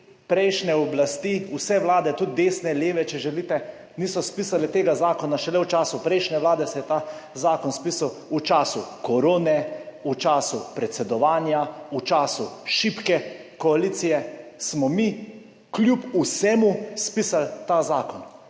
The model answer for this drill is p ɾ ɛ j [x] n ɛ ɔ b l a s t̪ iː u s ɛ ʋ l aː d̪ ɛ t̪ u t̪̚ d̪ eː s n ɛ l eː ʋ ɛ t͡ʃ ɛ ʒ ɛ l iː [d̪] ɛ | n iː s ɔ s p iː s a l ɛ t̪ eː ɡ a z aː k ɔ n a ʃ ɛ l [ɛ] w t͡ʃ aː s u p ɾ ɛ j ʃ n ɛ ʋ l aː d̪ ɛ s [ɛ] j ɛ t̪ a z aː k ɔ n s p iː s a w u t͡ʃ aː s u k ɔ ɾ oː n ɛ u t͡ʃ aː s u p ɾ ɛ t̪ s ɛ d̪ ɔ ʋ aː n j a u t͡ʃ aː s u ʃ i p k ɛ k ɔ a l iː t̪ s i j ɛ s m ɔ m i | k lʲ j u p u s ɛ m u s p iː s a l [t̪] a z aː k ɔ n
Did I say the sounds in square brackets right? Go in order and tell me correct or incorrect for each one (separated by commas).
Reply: incorrect, incorrect, correct, correct, correct